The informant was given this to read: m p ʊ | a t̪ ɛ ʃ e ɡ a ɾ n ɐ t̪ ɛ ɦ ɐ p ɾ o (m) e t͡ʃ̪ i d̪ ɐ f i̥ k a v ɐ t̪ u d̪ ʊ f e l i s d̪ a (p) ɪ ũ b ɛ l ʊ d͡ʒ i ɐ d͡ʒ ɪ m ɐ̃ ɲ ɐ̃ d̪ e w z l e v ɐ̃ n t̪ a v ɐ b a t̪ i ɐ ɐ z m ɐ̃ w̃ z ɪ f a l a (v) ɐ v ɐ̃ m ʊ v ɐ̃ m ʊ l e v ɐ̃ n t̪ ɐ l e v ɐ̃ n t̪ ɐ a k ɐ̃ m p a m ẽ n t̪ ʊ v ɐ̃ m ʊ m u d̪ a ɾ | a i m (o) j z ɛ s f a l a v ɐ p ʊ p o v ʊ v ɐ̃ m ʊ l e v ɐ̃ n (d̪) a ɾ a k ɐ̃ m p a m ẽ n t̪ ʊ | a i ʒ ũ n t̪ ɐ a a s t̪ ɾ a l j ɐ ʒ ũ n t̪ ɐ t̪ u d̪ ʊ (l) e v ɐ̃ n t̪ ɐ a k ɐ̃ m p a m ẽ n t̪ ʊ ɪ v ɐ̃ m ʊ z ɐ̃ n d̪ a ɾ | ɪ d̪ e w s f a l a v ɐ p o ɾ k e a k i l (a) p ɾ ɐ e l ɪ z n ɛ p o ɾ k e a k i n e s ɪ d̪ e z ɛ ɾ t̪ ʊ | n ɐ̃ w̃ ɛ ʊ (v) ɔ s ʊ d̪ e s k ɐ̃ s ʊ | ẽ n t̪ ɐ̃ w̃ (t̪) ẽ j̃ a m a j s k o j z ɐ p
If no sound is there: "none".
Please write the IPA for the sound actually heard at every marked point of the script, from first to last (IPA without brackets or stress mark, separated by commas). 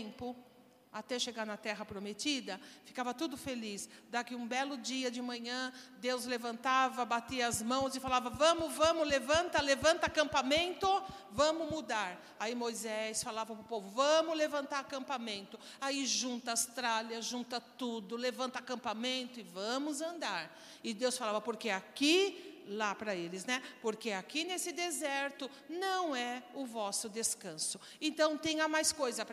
m, k, v, o, t̪, l, a, v, t̪